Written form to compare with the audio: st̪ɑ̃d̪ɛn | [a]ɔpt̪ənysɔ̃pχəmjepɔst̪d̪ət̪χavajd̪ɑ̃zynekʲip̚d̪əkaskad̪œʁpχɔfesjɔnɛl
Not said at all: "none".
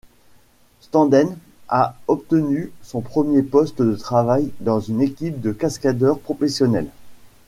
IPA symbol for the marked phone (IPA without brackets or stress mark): a